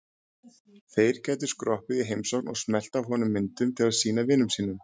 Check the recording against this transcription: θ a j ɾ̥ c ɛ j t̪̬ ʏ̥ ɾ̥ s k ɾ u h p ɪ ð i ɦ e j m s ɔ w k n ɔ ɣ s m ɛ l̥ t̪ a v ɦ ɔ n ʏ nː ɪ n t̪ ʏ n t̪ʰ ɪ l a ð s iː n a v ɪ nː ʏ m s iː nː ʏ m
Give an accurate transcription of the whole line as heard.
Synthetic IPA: θ e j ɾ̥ c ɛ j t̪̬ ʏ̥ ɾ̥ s k ɾ ɔ h p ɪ ð i ɦ e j m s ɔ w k n ɔ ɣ s m ɛ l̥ t̪ a v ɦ ɔ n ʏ mː ɪ n t̪ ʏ m t̪ʰ ɪ l a ð s iː n a v ɪ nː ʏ m s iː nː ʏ m